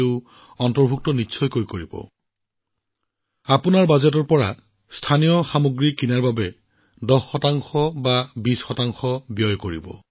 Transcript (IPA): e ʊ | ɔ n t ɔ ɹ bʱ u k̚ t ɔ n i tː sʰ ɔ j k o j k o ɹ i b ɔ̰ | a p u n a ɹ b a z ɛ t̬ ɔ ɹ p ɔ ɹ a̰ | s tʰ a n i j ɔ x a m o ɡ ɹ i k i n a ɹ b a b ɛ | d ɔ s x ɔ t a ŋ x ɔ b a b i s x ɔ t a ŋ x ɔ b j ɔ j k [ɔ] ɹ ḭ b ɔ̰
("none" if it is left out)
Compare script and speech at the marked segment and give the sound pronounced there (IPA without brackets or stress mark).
o